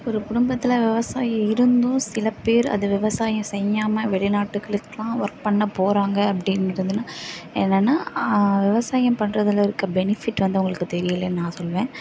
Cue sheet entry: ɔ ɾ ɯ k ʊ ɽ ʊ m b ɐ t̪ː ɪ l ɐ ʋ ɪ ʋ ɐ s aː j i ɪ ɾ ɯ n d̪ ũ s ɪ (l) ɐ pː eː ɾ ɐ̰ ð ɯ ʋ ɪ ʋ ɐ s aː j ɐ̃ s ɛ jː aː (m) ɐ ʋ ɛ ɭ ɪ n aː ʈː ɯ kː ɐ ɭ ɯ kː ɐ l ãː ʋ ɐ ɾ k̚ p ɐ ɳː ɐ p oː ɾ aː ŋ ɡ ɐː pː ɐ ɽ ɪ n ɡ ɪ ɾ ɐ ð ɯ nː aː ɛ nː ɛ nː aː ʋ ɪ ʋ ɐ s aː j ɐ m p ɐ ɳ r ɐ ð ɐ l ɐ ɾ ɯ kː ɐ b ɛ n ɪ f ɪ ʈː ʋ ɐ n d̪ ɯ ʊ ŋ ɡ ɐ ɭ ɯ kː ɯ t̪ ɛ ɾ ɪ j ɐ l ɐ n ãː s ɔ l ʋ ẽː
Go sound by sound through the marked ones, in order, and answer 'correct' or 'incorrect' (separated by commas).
correct, correct